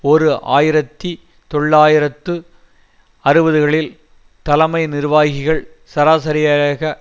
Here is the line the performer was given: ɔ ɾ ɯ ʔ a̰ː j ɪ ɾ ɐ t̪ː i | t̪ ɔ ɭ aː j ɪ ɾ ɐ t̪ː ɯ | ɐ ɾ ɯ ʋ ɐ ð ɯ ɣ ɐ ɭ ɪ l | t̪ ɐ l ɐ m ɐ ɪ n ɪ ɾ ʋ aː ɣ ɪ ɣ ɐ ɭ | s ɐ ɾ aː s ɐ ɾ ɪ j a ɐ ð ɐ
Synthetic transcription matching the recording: ɔ ɾ ɯ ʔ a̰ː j ɪ ɾ ɐ t̪ː i | t̪ ɔ ɭː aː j ɪ ɾ ɐ t̪ː ɯ | ɐ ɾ ɯ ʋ ɐ ð ɯ ɣ ɐ ɭ ɪ l | t̪ ɐ l ɐ m ɐ ɪ n ɪ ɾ ʋ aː ɣ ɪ ɣ ɐ ɭ | s ɐ ɾ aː s ɐ ɾ ɪ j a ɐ ɣ ɐ